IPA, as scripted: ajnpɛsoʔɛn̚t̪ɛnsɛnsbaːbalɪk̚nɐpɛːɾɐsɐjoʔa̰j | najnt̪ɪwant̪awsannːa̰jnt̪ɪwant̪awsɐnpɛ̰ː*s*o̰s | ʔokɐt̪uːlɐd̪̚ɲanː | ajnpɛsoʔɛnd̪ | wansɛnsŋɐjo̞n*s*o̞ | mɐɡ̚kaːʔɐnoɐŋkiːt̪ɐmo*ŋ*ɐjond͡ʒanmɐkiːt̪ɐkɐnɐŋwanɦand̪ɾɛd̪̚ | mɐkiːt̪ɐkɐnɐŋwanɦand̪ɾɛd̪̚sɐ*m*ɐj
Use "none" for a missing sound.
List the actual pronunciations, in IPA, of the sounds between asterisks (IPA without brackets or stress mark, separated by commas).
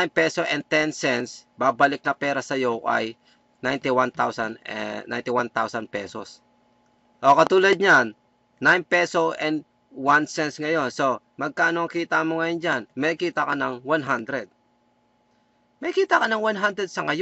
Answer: s, s, ŋ, ŋ